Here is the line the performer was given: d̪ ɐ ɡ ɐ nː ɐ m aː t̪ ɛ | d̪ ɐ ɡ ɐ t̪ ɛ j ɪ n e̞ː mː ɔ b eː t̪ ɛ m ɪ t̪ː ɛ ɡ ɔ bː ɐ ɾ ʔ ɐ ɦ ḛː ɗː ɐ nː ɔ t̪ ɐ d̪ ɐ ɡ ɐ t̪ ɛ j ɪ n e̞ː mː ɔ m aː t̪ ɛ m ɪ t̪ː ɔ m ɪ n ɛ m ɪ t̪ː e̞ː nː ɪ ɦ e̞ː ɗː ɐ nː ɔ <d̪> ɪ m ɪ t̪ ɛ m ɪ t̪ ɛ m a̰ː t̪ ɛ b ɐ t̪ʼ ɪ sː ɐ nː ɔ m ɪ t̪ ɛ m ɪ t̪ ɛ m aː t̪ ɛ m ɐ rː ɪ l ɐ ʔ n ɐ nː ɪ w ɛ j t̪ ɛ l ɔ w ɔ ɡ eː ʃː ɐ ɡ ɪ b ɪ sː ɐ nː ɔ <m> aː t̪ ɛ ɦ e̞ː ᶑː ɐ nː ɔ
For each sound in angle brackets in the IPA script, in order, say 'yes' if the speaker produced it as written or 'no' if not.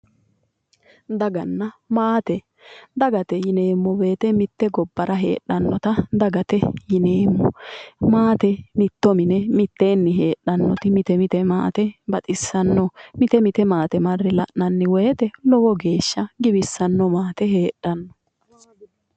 no, yes

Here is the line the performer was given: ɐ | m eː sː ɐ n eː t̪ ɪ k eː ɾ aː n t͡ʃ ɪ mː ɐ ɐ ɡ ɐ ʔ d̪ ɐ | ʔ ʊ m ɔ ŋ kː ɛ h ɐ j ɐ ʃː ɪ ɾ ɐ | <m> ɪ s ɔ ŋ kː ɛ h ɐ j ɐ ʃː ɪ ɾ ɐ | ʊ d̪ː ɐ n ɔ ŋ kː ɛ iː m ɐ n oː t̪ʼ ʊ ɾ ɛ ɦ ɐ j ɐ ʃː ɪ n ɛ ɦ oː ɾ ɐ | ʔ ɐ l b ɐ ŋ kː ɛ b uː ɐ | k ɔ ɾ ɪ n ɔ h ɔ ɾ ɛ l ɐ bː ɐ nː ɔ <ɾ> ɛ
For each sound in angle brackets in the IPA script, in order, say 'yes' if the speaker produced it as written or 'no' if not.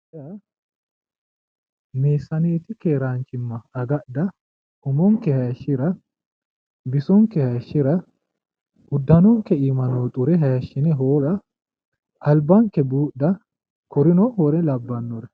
no, yes

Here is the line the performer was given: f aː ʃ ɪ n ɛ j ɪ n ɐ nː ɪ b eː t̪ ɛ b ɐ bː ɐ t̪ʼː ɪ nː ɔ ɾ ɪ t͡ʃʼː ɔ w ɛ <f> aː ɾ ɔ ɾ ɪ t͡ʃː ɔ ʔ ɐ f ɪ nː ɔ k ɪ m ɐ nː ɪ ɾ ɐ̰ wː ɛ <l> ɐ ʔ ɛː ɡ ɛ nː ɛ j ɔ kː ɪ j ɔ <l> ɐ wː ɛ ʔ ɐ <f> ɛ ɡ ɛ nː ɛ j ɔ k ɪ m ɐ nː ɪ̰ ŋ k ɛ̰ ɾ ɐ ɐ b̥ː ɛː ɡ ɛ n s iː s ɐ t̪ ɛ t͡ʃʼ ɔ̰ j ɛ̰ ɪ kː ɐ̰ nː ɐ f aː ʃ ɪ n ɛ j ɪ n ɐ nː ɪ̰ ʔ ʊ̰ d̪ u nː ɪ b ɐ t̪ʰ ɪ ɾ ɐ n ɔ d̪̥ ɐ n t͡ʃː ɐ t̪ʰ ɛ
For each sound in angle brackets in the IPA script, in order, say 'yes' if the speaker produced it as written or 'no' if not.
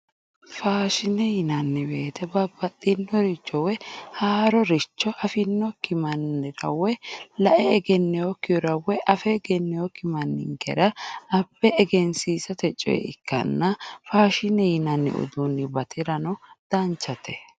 no, yes, no, yes

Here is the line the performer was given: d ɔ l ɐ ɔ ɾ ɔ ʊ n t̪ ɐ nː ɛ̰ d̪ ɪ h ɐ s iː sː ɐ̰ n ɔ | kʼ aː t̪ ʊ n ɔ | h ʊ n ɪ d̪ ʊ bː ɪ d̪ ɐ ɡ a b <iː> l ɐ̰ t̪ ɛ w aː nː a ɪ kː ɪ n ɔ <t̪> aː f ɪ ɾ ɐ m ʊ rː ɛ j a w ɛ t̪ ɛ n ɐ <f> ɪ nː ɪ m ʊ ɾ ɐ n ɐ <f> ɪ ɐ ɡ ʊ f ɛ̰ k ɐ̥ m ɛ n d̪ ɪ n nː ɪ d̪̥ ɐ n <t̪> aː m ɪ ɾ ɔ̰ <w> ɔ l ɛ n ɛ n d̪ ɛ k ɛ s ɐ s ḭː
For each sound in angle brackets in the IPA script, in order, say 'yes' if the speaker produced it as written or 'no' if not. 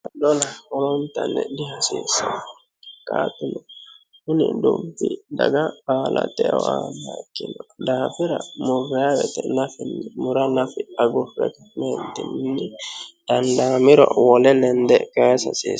no, no, yes, yes, no, yes

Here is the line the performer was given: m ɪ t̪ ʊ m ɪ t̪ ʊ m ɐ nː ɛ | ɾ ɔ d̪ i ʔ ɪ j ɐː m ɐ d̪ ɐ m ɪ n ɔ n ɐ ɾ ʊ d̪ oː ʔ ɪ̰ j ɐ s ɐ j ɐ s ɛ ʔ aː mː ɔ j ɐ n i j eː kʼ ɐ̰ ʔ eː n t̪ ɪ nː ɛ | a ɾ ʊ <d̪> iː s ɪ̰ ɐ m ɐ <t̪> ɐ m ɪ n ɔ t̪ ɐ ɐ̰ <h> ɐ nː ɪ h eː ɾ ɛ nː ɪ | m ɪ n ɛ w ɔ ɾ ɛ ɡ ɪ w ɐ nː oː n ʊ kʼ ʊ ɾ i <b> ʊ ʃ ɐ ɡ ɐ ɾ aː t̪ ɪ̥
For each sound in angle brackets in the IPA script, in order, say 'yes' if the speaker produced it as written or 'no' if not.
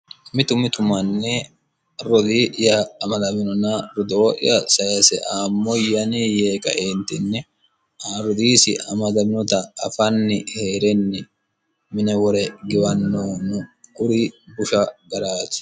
yes, no, no, yes

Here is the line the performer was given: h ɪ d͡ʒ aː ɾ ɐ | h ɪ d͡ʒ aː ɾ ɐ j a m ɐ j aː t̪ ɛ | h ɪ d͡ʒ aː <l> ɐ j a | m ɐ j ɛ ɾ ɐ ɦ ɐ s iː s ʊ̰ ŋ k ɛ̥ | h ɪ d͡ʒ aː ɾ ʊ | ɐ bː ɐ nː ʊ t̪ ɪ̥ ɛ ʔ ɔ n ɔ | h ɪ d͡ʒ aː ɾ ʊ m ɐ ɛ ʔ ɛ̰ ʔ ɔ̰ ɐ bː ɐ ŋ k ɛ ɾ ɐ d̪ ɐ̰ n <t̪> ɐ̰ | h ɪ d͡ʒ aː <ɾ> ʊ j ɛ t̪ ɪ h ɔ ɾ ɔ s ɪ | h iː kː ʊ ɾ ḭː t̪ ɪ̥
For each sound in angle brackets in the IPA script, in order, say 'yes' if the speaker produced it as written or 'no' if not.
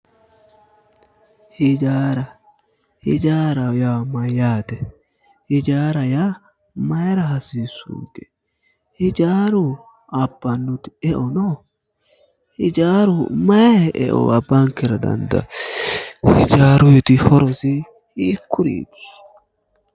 no, no, yes

